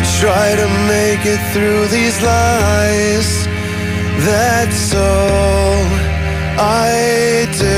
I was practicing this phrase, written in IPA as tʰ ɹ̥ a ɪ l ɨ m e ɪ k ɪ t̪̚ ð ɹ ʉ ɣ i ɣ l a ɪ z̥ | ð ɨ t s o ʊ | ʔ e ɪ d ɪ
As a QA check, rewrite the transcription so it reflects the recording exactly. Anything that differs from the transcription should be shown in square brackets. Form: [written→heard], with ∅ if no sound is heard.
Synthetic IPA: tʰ ɹ̥ a ɪ [l→ɾ] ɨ m e ɪ k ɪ t̪̚ [ð→θ] ɹ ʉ [ɣ→ð] i [ɣ→z] l a ɪ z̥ | ð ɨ t s o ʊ | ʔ [e→a] ɪ d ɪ